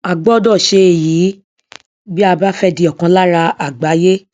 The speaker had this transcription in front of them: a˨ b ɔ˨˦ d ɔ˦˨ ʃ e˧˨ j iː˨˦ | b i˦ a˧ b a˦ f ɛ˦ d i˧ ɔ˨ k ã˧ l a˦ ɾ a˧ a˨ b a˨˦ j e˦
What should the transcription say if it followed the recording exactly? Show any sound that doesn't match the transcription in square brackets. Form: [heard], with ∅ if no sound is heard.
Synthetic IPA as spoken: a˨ [ɡ͡b] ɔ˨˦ d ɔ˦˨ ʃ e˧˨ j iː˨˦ | b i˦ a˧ b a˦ f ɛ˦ d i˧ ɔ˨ k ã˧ l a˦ ɾ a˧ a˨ [ɡ͡b] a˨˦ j e˦

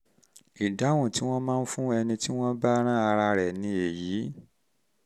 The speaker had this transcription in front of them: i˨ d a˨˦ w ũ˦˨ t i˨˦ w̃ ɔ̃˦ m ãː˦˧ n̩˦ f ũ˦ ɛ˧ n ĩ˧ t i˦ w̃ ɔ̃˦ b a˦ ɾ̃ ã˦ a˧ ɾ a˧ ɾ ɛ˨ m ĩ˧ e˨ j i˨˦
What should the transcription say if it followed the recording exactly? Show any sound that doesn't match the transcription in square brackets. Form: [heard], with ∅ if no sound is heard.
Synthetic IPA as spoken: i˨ d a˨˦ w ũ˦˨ t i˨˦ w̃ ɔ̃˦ m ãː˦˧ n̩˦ f ũ˦ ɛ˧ n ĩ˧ t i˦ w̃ ɔ̃˦ b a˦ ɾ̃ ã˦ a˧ ɾ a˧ ɾ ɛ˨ [n] ĩ˧ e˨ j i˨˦

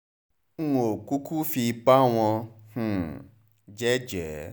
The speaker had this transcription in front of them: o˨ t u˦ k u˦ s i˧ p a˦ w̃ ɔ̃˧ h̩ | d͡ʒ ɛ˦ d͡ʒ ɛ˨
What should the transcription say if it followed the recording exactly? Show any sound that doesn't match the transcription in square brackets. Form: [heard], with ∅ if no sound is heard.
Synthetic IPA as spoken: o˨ [k] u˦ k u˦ [f] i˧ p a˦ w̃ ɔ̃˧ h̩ | d͡ʒ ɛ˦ d͡ʒ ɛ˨

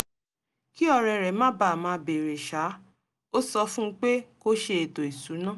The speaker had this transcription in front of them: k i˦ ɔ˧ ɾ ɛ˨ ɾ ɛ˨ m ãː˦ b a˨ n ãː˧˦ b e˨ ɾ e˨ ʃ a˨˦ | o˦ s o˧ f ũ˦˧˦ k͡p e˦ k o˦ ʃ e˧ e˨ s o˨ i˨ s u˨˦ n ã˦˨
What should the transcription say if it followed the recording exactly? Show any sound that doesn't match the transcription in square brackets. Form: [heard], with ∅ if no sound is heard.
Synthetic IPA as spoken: k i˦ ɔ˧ ɾ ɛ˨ ɾ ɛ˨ m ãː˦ b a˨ [m] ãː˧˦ b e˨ ɾ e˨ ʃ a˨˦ | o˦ s [ɔ˧] f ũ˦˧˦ k͡p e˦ k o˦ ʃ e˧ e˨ [t] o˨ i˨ s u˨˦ n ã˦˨

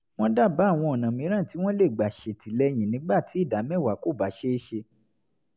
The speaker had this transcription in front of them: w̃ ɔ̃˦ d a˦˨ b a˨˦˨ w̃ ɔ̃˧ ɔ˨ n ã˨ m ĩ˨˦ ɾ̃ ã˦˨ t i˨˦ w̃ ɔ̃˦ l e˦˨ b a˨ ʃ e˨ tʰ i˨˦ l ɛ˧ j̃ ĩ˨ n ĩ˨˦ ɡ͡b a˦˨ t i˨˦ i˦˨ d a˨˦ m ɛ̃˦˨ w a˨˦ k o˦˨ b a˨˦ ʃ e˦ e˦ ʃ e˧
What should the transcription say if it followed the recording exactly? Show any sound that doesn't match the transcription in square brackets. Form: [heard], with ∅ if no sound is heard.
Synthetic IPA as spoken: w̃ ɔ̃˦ d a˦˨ b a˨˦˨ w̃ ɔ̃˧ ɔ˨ n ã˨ m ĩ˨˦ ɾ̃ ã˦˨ t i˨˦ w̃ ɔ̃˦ l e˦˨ [ɡ͡b] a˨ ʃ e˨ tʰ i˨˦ l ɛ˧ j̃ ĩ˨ n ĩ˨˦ ɡ͡b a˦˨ t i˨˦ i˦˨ d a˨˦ m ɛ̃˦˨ w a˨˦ k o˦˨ b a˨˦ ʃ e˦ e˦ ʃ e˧

